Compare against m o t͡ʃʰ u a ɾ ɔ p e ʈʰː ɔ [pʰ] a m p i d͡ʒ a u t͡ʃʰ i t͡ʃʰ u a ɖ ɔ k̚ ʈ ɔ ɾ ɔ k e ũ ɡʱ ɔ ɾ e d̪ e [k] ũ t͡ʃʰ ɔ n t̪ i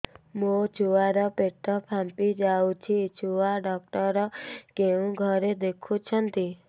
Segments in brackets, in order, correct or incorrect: correct, incorrect

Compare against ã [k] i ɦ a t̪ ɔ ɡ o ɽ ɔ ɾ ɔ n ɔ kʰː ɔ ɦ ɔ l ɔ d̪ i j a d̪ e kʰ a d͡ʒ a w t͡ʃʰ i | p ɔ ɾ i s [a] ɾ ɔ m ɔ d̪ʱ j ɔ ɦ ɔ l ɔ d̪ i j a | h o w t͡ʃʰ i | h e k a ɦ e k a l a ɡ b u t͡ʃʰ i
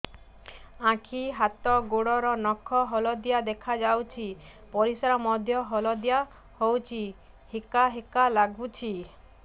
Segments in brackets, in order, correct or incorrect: incorrect, correct

